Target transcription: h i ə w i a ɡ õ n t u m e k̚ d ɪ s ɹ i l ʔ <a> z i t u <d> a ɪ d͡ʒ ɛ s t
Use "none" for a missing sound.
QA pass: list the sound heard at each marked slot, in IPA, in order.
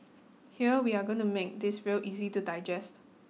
i, d

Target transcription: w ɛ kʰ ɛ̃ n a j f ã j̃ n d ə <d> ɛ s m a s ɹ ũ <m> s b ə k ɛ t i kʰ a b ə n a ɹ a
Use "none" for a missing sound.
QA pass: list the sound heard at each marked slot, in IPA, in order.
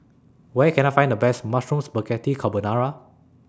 b, m

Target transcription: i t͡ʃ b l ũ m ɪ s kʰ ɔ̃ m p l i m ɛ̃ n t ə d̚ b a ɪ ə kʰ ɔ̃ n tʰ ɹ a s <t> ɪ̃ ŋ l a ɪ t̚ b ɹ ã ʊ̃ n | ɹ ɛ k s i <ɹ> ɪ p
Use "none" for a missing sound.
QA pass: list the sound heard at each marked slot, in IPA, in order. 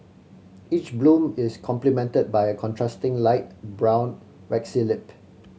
t, l

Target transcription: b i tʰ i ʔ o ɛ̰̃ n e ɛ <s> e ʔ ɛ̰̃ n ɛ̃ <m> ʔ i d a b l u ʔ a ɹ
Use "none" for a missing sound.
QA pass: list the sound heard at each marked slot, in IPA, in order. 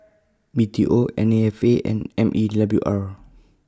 f, m

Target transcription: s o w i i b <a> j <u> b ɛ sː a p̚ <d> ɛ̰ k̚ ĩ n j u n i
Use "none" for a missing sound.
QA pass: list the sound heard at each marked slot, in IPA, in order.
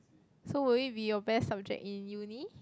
i, ɔ, d͡ʒ

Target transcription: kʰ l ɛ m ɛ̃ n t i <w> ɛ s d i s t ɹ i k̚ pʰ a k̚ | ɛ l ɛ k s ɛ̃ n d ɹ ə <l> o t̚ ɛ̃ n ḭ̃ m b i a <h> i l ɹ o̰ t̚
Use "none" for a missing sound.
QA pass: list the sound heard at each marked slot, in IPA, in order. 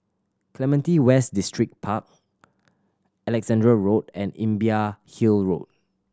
w, ɹ, h

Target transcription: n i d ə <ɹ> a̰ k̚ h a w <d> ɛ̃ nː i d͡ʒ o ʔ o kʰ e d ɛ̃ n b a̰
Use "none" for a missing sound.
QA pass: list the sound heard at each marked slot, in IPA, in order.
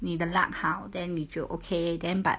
l, d

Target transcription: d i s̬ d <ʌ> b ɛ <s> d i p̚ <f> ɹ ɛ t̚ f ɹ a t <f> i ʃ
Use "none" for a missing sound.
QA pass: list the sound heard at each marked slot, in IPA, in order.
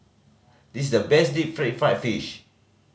ə, s, f, f

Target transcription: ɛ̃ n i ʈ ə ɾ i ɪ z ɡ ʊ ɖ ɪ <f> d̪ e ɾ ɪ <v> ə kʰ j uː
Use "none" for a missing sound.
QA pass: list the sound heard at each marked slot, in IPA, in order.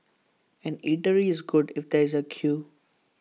f, z

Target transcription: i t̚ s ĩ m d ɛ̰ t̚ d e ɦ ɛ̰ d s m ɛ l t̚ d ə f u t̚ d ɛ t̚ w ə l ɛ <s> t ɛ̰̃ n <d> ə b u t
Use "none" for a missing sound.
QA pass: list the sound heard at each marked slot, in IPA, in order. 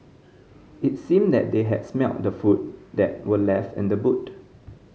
f, d

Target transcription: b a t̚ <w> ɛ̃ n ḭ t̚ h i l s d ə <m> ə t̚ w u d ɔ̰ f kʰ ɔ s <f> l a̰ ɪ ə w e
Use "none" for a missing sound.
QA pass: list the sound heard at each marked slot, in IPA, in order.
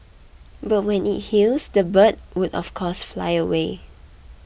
w, b, f

